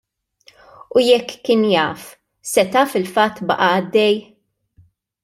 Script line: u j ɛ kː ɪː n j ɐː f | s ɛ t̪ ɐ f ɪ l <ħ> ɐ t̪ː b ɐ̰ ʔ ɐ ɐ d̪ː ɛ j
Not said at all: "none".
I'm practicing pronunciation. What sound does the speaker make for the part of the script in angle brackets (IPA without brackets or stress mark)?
f